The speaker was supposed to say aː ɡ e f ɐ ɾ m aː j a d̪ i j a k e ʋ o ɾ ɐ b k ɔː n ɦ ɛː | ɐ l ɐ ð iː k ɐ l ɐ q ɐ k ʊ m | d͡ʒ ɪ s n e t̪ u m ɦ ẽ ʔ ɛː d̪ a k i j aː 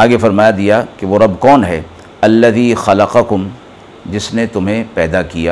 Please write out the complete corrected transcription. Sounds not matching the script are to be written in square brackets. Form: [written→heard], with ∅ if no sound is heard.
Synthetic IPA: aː ɡ e f ɐ ɾ m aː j a d̪ i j a k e ʋ o ɾ ɐ b k ɔː n ɦ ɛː | ɐ [l→lː] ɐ ð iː [k→x] ɐ l ɐ q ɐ k ʊ m | d͡ʒ ɪ s n e t̪ [u→ʊ] m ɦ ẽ [ʔ→p] ɛː d̪ a k i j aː